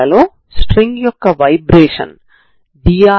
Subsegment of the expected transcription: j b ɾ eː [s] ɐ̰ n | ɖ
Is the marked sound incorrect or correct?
incorrect